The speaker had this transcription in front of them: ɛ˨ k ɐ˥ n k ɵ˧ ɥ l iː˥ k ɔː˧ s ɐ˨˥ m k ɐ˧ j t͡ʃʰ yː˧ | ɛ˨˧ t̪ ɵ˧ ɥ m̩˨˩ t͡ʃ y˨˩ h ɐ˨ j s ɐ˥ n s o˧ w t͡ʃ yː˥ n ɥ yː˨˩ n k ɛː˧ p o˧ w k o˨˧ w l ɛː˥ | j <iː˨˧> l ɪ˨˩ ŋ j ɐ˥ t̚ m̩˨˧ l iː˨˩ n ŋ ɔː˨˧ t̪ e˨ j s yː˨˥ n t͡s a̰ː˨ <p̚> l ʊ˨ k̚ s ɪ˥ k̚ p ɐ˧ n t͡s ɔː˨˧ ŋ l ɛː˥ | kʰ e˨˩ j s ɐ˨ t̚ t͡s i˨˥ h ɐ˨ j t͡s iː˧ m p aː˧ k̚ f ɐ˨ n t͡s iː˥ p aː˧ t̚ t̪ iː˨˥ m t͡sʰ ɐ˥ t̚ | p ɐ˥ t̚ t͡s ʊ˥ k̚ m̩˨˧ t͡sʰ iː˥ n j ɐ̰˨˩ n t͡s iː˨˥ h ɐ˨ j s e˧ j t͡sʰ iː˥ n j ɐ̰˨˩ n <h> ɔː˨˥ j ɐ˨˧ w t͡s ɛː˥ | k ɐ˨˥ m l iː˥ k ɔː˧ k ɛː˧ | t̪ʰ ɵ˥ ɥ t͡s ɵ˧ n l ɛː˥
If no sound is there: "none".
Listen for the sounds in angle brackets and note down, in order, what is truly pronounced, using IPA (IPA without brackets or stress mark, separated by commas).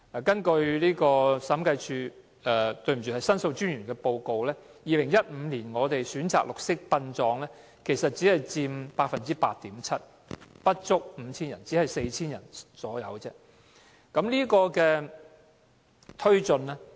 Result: iː˨˧, k̚, s